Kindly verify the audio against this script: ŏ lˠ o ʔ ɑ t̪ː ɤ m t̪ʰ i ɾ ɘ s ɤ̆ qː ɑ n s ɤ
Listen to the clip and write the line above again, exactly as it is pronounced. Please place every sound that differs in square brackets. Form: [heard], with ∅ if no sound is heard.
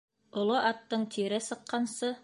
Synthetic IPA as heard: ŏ lˠ o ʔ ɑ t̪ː ɤ [ɴ] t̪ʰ i ɾ ɘ s ɤ̆ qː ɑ n s ɤ

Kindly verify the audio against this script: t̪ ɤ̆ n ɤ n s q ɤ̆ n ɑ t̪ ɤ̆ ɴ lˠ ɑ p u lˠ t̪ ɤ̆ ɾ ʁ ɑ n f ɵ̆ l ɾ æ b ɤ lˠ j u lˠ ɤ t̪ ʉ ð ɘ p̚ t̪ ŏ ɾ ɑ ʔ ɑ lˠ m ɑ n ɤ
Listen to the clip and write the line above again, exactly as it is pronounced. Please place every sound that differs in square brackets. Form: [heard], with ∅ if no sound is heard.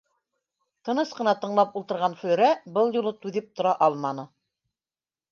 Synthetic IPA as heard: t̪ ɤ̆ n ɤ [∅] s q ɤ̆ n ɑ t̪ ɤ̆ ɴ lˠ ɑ p u lˠ t̪ ɤ̆ ɾ ʁ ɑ n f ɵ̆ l ɾ æ b ɤ lˠ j u lˠ ɤ t̪ ʉ ð ɘ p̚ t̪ ŏ ɾ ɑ ʔ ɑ lˠ m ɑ n ɤ

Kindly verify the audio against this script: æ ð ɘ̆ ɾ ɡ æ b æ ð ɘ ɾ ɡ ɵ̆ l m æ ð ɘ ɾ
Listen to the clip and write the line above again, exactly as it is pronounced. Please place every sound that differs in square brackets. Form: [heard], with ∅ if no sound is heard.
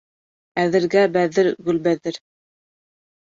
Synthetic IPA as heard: æ ð ɘ̆ ɾ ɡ æ b æ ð ɘ ɾ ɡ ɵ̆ l [b] æ ð ɘ ɾ

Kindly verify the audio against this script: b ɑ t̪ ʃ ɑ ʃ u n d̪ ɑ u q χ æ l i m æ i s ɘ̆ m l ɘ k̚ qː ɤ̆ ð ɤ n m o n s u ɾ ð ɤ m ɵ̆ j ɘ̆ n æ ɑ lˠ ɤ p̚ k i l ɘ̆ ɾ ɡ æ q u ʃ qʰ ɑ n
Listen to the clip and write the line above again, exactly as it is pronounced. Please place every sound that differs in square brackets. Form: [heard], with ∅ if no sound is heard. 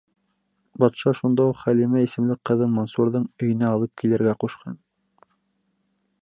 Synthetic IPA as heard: b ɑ t̪ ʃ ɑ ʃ u n d̪ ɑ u q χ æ l i m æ i s ɘ̆ m l ɘ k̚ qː ɤ̆ ð ɤ n m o n s u ɾ ð ɤ [ɴ] ɵ̆ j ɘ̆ n æ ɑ lˠ ɤ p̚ k i l ɘ̆ ɾ ɡ æ q u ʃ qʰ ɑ n

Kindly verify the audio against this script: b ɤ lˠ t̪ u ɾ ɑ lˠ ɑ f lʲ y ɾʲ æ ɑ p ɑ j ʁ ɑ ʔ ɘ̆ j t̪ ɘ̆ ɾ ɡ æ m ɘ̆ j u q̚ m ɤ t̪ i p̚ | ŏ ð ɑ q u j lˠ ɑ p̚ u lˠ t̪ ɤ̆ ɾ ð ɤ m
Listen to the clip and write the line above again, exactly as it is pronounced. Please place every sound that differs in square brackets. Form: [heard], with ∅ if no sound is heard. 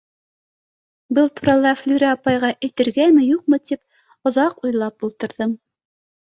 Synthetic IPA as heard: b ɤ lˠ t̪ u ɾ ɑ lˠ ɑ f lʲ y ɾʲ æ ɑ p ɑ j ʁ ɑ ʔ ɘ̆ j t̪ ɘ̆ ɾ ɡ æ m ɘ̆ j u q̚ m ɤ t̪ i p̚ | ŏ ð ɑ q u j lˠ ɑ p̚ u lˠ t̪ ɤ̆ ɾ ð ɤ m

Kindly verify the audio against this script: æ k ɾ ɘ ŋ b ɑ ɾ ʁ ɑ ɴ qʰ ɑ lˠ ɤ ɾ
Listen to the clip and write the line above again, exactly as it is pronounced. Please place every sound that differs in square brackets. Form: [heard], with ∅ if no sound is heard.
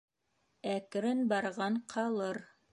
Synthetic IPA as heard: æ k ɾ ɘ [n] b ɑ ɾ ʁ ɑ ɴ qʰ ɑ lˠ ɤ ɾ

